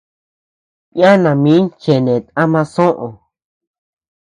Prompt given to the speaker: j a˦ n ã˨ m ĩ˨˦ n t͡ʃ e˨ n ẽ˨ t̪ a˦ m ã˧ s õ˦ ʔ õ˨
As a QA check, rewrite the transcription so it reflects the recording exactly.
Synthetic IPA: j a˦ n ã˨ m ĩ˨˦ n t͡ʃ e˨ n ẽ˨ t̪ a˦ m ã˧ s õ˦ ʔ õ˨